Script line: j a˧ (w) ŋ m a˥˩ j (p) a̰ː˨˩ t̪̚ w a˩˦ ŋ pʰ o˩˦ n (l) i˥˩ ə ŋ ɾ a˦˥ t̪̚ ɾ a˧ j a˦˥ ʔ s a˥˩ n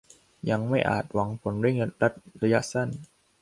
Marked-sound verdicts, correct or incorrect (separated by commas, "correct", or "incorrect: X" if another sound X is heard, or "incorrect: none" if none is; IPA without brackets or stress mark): incorrect: none, incorrect: ʔ, incorrect: ɾ